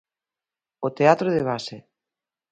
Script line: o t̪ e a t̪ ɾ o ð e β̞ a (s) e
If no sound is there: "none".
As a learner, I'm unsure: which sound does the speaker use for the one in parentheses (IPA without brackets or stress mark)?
s